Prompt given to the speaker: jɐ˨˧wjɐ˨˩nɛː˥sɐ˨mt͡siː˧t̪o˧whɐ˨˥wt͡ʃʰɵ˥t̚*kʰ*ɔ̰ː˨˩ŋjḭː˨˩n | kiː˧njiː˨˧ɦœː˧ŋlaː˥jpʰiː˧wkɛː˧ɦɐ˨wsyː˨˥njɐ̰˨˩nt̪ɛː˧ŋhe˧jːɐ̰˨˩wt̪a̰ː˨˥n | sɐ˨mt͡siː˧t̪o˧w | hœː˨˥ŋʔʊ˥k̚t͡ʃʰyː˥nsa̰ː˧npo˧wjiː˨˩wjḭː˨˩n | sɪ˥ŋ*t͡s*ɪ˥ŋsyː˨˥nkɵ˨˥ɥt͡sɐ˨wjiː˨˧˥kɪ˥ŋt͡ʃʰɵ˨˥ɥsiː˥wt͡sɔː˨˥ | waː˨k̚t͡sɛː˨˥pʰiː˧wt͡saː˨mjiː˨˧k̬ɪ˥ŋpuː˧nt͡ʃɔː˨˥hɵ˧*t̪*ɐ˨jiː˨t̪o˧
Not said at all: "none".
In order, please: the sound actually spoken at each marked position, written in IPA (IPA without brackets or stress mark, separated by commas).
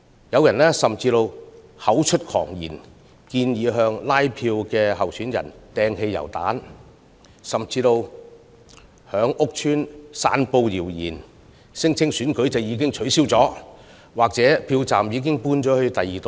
kʰ, t͡sʰ, t̪